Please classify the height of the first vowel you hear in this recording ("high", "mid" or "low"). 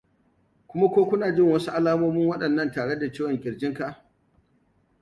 high